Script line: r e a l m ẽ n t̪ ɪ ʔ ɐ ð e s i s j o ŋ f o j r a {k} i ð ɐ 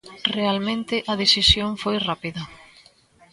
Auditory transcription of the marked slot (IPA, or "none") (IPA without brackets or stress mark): p